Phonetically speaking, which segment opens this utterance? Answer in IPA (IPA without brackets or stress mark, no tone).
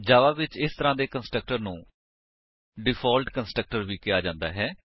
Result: d͡ʒ